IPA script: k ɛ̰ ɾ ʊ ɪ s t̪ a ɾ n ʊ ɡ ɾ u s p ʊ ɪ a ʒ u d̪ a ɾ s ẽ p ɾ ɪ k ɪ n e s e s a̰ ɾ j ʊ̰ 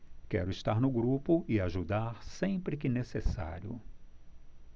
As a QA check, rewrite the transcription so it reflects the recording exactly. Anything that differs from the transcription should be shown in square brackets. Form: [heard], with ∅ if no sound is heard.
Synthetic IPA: k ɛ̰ ɾ ʊ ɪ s t̪ a ɾ n ʊ ɡ ɾ u [∅] p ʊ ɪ a ʒ u d̪ a ɾ s ẽ p ɾ ɪ k ɪ n e s e s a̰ ɾ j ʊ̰